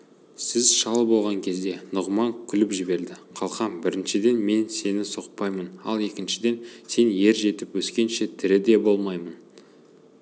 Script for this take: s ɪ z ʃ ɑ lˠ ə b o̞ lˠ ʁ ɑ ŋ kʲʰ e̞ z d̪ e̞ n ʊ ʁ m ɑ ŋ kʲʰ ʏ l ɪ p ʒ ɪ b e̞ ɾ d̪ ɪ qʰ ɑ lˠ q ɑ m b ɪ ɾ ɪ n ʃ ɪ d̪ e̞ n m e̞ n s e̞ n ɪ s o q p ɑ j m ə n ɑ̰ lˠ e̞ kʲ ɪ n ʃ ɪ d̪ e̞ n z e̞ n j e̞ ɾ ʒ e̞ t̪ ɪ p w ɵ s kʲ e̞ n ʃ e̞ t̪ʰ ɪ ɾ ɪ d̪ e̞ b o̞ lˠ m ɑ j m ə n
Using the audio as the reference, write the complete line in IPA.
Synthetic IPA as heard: s ɪ z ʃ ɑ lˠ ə b o̞ lˠ ʁ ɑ ŋ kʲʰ e̞ z d̪ e̞ n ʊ ʁ m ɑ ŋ kʲʰ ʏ l ɪ p ʒ ɪ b e̞ ɾ d̪ ɪ qʰ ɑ lˠ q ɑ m b ɪ ɾ ɪ n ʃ ɪ d̪ e̞ n m e̞ n s e̞ n ɪ s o q p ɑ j m ə n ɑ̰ lˠ e̞ kʲ ɪ n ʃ ɪ d̪ e̞ n s e̞ n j e̞ ɾ ʒ e̞ t̪ ɪ p w ɵ s kʲ e̞ n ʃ e̞ t̪ʰ ɪ ɾ ɪ d̪ e̞ b o̞ lˠ m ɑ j m ə n